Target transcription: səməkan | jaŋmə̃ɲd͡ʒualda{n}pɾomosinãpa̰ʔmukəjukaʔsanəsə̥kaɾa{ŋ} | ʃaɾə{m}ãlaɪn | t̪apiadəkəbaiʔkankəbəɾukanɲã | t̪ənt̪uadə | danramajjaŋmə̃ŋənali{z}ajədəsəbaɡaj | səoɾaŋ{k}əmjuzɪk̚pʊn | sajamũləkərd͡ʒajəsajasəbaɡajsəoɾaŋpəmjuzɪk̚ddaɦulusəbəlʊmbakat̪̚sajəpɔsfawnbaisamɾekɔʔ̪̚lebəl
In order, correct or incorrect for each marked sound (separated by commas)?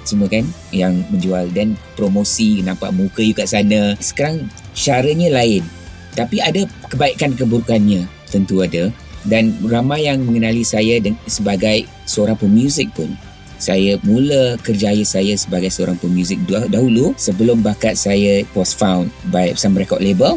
correct, correct, incorrect, incorrect, incorrect